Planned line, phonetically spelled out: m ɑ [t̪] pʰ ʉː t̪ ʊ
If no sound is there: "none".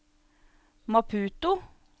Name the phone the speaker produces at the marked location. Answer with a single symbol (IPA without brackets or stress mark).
none